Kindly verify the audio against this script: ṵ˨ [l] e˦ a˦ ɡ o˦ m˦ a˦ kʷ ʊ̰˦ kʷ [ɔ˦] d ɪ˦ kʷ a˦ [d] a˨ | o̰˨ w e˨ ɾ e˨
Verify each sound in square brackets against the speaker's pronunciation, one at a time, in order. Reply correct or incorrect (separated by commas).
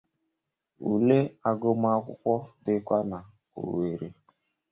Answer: correct, correct, incorrect